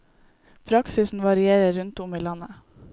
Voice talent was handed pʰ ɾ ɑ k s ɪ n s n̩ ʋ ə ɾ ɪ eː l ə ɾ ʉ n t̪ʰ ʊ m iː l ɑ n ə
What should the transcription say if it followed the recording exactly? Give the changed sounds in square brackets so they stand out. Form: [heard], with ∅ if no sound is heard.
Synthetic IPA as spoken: pʰ ɾ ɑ k s ɪ [∅] s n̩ ʋ [ɑ] ɾ ɪ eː [ɾ] ə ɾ ʉ n [t̪] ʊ m iː l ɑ n ə